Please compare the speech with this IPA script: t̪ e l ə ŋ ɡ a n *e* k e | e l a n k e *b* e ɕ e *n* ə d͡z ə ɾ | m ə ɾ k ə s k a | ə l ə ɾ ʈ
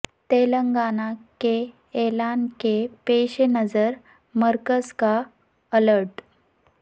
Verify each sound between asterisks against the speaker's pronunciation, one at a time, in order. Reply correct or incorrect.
incorrect: a, incorrect: p, correct

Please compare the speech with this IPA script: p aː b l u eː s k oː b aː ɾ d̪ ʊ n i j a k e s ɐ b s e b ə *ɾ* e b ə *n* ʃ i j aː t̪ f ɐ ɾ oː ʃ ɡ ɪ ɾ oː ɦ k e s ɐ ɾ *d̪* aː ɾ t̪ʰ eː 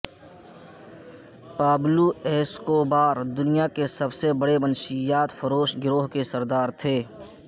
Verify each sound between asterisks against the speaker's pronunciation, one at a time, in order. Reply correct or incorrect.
incorrect: ɽ, correct, correct

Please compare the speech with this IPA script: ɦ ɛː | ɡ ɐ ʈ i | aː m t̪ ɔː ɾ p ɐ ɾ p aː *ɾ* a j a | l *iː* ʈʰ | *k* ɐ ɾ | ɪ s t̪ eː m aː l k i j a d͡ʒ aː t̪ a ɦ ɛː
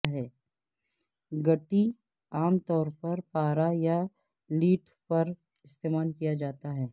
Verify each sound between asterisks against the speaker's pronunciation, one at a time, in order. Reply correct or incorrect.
correct, correct, incorrect: p

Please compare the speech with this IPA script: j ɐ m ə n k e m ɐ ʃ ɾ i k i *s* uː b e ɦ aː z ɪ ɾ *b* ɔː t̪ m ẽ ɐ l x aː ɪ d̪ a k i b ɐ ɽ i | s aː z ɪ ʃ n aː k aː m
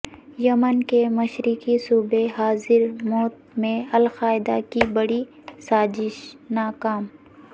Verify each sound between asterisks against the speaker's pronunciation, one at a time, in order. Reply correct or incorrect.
correct, incorrect: m

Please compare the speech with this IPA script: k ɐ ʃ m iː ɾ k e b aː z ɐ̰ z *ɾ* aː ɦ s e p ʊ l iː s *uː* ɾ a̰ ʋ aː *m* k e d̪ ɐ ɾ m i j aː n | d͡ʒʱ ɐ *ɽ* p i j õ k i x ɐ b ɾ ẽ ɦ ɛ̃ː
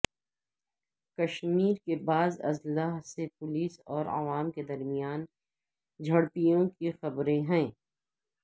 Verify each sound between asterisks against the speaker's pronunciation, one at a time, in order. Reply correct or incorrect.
incorrect: l, incorrect: ɔː, correct, correct

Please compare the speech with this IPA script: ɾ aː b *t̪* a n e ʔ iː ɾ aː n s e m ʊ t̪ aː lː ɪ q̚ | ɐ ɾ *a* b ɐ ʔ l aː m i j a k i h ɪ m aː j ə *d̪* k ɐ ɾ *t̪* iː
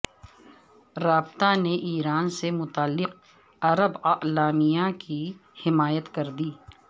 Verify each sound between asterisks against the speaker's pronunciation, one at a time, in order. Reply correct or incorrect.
correct, incorrect: ə, incorrect: t̪, incorrect: d̪

